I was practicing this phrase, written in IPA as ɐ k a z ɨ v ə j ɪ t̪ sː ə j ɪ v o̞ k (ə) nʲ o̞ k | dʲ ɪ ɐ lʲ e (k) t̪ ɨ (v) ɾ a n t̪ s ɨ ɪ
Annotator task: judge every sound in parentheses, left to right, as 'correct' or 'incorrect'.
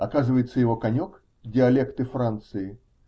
incorrect: ɐ, correct, incorrect: f

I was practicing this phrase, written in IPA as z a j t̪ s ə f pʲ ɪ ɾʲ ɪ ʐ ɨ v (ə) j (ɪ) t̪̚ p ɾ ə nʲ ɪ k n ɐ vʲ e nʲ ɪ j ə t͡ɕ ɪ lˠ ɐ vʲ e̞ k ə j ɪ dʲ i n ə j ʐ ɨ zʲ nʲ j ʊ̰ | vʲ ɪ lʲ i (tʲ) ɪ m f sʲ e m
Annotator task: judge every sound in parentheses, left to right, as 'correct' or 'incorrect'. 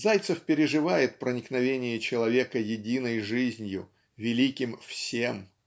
incorrect: a, correct, incorrect: kʲ

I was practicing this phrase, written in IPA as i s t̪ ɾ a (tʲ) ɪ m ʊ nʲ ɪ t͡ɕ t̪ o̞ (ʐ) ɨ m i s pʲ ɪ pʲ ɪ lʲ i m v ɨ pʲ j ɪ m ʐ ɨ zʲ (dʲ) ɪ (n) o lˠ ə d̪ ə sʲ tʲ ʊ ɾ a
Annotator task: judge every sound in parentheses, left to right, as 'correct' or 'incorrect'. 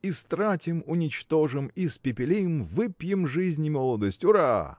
correct, correct, incorrect: nʲ, incorrect: m

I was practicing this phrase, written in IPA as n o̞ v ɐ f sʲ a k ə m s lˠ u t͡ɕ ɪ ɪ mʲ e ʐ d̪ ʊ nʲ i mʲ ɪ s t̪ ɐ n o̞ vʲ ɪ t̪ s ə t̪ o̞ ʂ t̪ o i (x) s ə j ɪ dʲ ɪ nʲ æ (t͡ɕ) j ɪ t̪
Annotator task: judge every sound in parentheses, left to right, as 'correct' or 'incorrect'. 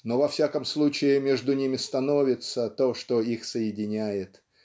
correct, incorrect: none

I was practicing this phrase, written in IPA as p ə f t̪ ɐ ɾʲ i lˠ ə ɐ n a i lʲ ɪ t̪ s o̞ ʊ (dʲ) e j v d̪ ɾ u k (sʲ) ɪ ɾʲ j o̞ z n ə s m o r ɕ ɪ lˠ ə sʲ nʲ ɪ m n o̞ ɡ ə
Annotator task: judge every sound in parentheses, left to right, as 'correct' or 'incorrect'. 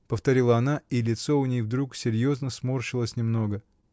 incorrect: nʲ, correct

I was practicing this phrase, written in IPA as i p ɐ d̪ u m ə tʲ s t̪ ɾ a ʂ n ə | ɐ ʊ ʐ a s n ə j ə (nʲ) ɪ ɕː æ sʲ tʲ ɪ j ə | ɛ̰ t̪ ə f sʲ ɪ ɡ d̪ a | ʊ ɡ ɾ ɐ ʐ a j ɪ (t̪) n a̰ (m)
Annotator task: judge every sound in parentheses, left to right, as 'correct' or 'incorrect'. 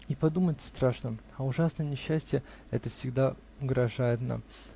correct, correct, correct

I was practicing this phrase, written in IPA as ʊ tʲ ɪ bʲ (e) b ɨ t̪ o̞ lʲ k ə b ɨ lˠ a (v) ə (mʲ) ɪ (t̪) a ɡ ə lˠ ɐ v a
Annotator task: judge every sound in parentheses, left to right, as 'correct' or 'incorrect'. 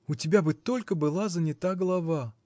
incorrect: a, incorrect: z, incorrect: nʲ, correct

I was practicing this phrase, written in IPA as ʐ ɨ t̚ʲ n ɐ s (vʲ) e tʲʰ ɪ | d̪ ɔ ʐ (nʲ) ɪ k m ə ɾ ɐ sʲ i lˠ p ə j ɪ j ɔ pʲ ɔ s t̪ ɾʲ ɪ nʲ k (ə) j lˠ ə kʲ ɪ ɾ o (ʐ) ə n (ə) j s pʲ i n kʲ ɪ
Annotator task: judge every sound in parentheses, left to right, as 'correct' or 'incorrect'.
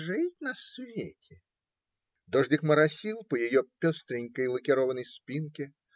correct, incorrect: dʲ, correct, incorrect: v, correct

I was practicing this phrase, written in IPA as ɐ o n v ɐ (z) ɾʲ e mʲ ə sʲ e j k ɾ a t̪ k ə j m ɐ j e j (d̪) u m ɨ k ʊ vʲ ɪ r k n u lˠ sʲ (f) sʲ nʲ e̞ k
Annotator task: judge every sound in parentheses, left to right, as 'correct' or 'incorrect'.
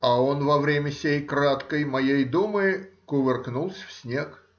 incorrect: v, correct, correct

